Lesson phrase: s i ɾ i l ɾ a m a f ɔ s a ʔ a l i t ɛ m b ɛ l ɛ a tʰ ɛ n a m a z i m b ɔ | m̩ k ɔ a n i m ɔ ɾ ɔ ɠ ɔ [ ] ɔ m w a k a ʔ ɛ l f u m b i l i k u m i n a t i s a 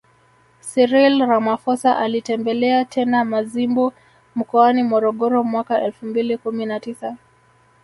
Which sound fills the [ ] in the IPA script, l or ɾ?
ɾ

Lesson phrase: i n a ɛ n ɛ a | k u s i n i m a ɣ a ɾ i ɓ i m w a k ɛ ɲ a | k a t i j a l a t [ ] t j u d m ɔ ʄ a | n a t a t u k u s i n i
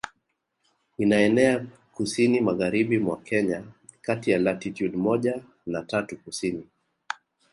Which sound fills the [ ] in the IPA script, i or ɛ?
i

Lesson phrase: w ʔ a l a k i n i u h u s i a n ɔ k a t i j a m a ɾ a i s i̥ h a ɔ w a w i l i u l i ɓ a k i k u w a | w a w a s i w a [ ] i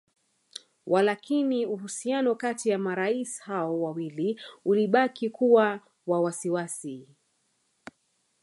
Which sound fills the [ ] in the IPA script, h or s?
s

